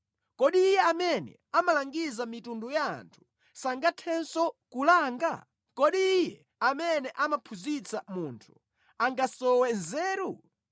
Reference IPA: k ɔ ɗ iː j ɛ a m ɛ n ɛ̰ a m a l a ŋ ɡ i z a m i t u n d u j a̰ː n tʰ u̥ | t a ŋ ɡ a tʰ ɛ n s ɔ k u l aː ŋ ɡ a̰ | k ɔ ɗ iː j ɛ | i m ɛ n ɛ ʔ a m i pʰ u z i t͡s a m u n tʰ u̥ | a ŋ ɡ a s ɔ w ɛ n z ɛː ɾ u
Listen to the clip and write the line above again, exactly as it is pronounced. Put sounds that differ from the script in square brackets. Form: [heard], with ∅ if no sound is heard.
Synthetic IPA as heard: k ɔ ɗ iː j ɛ a m ɛ n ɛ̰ a m a l a ŋ ɡ i z a m i t u n d u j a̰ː n tʰ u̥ | [s] a ŋ ɡ a tʰ ɛ n s ɔ k u l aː ŋ ɡ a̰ | k ɔ ɗ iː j ɛ | [a] m ɛ n ɛ ʔ a m [a] pʰ u z i t͡s a m u n tʰ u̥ | a ŋ ɡ a s ɔ w ɛ n z ɛː ɾ u